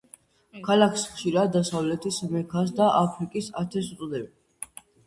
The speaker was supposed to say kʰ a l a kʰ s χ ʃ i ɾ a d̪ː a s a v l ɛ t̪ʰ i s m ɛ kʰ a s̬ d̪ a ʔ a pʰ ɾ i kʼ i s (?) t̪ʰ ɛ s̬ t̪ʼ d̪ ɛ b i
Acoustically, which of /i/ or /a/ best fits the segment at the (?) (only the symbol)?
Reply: a